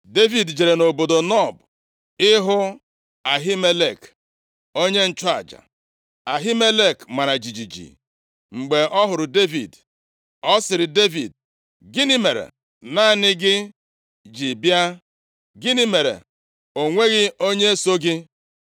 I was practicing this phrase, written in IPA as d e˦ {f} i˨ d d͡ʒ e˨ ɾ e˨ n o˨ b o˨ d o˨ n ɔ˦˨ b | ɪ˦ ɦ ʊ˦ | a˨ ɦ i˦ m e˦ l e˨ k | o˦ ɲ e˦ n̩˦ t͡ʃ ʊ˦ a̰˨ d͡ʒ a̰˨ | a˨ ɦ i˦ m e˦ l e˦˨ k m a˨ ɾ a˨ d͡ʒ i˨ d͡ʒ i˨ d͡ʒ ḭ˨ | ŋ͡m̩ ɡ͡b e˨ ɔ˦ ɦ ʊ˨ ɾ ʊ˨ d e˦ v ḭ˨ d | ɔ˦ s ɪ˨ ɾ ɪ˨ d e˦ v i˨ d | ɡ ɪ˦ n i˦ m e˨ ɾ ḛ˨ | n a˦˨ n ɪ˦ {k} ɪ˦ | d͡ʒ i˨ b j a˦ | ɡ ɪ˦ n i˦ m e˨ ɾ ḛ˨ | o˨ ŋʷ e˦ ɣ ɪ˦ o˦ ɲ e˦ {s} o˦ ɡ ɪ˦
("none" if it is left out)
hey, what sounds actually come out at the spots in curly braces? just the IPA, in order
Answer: v, ɡ, s

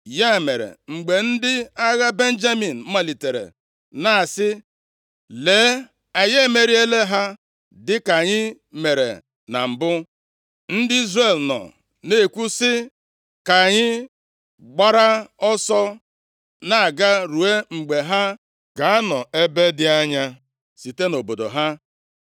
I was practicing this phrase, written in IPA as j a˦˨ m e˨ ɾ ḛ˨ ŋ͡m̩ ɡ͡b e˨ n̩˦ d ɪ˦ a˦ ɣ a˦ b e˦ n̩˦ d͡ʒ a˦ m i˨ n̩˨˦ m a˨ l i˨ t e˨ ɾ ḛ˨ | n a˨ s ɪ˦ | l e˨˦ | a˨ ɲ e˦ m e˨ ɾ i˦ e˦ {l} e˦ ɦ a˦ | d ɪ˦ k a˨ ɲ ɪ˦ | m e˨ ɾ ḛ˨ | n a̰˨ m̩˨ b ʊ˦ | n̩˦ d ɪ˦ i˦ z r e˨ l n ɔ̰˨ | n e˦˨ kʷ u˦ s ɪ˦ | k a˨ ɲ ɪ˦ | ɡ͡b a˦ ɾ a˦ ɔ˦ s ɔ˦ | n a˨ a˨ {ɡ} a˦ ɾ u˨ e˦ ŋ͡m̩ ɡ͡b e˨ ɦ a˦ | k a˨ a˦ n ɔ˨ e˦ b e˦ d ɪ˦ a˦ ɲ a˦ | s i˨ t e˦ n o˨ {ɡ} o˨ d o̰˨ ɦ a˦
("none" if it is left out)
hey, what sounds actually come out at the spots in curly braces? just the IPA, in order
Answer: l, ɡ, b

